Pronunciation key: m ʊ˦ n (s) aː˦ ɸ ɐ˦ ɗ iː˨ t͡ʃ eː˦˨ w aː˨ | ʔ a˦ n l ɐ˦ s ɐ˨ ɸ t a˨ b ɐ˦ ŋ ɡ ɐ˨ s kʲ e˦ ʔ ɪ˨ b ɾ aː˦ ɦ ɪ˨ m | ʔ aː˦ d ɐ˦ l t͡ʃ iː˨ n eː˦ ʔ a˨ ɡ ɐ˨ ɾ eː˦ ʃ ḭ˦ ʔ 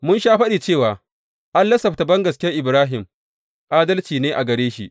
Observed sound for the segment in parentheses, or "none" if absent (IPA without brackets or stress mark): ʃ